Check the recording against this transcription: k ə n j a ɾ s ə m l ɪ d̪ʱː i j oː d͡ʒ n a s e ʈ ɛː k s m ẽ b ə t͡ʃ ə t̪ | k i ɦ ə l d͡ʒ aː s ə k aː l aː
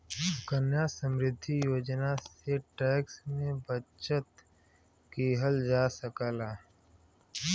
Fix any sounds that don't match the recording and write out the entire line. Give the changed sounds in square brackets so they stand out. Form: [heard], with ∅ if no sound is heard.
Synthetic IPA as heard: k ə n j a [∅] s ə m [ɾ] ɪ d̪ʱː i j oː d͡ʒ n a s e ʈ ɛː k s m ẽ b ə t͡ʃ ə t̪ | k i ɦ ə l d͡ʒ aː s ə k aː l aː

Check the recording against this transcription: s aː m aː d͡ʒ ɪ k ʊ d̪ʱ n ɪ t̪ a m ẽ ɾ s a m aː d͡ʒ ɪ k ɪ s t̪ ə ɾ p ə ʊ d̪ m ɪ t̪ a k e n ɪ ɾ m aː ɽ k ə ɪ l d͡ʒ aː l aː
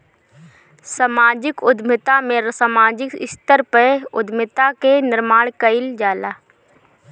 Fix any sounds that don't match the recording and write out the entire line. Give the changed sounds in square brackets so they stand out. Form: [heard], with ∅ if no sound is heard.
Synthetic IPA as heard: s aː m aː d͡ʒ ɪ k ʊ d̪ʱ [m] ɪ t̪ a m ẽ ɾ s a m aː d͡ʒ ɪ k ɪ s t̪ ə ɾ p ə ʊ d̪ m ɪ t̪ a k e n ɪ ɾ m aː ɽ k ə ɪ l d͡ʒ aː l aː

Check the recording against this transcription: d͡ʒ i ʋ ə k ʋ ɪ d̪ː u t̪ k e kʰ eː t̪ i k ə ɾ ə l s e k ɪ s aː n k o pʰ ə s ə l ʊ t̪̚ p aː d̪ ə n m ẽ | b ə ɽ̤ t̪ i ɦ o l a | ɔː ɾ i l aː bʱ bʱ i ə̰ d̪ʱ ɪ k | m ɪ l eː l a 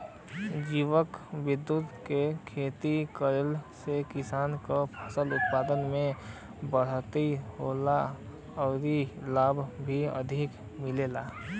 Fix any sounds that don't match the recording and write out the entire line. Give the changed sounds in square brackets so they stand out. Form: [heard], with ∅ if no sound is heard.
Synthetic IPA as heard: d͡ʒ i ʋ ə k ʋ ɪ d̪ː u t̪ k e kʰ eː t̪ i k ə ɾ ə l s e k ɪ s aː n k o pʰ ə s ə l ʊ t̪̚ p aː d̪ ə n m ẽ | b ə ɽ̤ t̪ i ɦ o l a | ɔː ɾ i l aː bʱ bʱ i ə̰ d̪ʱ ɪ k | m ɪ l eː l a

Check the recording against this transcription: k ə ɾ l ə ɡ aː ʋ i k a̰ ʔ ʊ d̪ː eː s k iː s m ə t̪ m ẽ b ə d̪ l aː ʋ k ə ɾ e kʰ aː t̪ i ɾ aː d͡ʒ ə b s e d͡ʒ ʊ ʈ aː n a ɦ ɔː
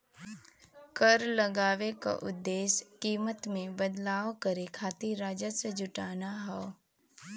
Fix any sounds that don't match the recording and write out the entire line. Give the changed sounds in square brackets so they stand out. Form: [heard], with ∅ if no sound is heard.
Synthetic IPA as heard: k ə ɾ l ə ɡ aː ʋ [e] k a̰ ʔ ʊ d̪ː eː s k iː [∅] m ə t̪ m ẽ b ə d̪ l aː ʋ k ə ɾ e kʰ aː t̪ i ɾ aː d͡ʒ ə [∅] s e d͡ʒ ʊ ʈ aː n a ɦ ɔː

